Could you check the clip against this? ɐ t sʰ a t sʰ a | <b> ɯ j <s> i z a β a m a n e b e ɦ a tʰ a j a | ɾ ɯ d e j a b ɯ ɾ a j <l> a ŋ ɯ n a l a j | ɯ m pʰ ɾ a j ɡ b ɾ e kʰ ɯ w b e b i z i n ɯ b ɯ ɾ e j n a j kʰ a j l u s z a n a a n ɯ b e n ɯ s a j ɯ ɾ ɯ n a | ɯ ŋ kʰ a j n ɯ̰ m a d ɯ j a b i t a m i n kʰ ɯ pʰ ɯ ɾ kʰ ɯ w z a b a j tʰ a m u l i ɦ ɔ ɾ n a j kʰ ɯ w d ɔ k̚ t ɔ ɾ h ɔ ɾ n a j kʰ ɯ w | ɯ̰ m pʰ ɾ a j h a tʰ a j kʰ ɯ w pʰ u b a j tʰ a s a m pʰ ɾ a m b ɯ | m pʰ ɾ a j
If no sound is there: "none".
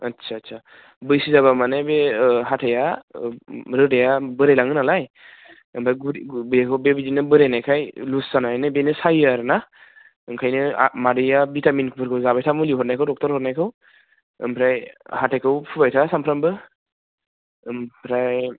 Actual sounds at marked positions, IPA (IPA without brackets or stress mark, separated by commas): b, s, l